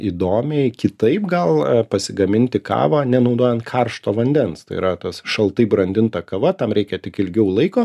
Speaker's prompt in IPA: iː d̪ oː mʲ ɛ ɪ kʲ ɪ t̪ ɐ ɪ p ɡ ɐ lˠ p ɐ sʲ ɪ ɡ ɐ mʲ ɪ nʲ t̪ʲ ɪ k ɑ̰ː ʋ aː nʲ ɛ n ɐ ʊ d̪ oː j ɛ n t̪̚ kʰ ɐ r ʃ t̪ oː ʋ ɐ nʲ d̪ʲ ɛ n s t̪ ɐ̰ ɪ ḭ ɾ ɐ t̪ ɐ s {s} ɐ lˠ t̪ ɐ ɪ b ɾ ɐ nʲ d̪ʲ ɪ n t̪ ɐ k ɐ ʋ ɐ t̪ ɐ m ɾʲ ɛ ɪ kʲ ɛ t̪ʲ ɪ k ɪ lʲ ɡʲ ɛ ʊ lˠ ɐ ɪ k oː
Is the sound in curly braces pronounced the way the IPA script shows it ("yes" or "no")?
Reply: no